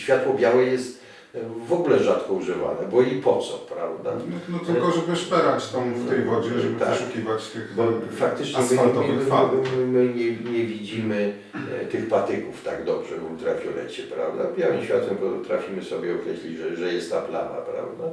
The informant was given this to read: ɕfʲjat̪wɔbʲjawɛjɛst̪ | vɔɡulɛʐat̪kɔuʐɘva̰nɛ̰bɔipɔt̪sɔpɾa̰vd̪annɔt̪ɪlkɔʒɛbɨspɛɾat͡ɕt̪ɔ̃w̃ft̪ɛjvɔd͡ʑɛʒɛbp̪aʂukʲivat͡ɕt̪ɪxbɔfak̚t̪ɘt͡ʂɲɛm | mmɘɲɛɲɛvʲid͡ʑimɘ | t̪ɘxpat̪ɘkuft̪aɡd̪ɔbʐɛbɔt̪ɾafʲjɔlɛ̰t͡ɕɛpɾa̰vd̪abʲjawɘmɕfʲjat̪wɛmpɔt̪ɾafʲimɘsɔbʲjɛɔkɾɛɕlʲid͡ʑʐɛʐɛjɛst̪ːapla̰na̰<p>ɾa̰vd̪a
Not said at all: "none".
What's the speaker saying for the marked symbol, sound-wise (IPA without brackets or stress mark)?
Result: p